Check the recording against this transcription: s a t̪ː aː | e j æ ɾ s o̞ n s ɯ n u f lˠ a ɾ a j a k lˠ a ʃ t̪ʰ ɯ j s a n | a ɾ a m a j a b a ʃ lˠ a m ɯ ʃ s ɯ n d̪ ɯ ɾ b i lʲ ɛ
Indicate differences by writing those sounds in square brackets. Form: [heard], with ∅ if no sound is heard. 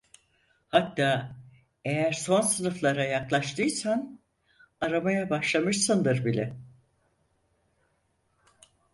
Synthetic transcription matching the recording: [h] a t̪ː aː | e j æ ɾ s o̞ n s ɯ n [ɯ] f lˠ a ɾ a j a k lˠ a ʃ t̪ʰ ɯ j s a n | a ɾ a m a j a b a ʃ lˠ a m ɯ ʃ s ɯ n d̪ ɯ ɾ b i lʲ ɛ